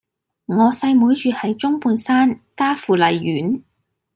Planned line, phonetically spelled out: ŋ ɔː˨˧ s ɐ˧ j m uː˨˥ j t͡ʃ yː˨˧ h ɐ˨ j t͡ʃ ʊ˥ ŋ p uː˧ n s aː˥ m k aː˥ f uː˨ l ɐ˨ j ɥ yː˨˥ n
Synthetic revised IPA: ŋ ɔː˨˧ s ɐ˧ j m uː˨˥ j t͡ʃ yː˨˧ h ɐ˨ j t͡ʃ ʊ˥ ŋ p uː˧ n s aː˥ n k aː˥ f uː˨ l ɐ˨ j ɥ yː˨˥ n